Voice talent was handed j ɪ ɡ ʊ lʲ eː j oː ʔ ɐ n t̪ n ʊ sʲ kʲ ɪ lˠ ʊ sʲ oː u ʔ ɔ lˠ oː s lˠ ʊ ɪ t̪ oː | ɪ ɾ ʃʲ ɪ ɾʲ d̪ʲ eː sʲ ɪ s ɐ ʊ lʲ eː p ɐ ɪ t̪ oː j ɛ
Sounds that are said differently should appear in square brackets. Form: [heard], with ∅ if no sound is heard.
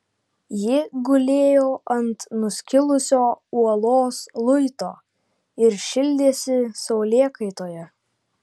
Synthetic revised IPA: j ɪ ɡ ʊ lʲ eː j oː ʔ ɐ n t̪ n ʊ sʲ kʲ ɪ lˠ ʊ sʲ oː u [∅] ɔ lˠ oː s lˠ ʊ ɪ t̪ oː | ɪ ɾ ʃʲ ɪ [lʲ] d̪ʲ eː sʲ ɪ s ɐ ʊ lʲ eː [k] ɐ ɪ t̪ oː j ɛ